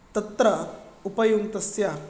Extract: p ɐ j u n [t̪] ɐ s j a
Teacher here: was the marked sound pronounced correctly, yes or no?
yes